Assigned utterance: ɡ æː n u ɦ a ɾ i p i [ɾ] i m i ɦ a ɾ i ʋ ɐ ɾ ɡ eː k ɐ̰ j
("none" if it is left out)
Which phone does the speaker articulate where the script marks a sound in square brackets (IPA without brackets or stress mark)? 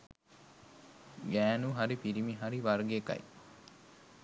ɾ